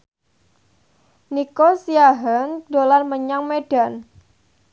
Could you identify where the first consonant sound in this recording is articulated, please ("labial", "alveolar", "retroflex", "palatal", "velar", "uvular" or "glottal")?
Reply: alveolar